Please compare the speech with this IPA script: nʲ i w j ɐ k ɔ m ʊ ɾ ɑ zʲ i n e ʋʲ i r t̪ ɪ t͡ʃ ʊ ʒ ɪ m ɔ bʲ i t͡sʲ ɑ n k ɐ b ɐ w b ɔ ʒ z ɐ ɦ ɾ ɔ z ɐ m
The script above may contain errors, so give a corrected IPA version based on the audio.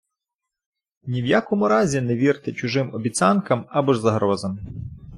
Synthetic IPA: nʲ i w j a k ɔ m ʊ ɾ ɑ zʲ i n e ʋʲ i r t̪ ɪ t͡ʃ ʊ ʒ ɪ m ɔ bʲ i t͡sʲ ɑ n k ɐ m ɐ b ɔ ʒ z ɐ ɦ ɾ ɔ z ɐ m